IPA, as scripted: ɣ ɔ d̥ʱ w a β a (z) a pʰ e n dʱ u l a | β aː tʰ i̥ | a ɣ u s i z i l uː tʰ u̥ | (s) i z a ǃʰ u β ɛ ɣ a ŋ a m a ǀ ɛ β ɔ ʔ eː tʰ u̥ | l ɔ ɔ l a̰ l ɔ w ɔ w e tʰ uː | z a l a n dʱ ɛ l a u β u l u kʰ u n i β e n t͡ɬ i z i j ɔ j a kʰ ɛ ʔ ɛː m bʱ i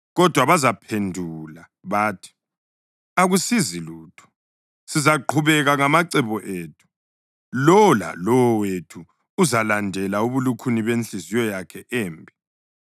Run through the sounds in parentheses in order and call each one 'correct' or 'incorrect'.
correct, correct

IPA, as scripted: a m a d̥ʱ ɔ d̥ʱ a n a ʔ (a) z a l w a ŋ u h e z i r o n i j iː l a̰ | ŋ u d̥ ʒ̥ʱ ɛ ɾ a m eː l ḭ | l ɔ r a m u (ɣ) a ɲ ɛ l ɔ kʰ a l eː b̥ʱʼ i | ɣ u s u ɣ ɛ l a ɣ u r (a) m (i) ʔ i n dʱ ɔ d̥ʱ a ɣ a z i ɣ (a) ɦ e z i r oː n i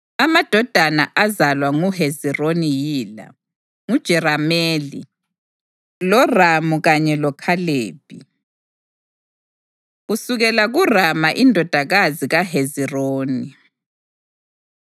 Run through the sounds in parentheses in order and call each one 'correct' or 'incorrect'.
correct, correct, correct, incorrect, correct

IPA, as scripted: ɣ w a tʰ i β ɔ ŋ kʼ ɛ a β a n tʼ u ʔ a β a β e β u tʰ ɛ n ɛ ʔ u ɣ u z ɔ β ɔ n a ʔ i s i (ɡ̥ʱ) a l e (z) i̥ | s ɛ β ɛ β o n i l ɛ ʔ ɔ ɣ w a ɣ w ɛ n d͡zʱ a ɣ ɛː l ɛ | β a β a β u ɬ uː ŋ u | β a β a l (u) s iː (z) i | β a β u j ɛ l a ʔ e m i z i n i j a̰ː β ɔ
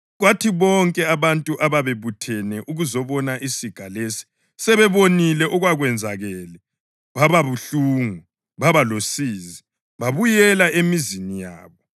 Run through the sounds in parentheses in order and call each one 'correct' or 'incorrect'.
correct, incorrect, incorrect, correct

